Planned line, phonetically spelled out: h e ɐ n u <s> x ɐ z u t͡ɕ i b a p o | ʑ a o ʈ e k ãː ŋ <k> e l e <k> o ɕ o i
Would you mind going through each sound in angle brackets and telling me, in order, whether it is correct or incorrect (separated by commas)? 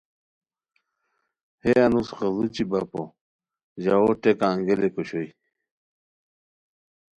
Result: correct, incorrect, correct